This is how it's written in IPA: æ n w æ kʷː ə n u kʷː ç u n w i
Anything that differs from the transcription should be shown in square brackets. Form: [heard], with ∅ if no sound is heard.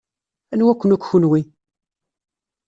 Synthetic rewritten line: æ n w æ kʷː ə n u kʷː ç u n w i

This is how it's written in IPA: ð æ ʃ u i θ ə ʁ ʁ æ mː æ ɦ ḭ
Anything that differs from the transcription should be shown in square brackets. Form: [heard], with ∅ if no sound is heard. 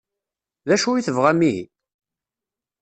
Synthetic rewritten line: ð æ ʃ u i θ ə [v] ʁ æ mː [i] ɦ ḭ

